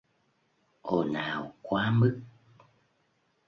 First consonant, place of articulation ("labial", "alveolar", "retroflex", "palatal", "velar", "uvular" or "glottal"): glottal